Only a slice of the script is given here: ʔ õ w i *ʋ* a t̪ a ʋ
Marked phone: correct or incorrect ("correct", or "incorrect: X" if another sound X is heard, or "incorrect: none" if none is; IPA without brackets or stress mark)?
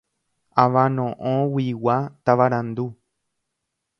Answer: incorrect: w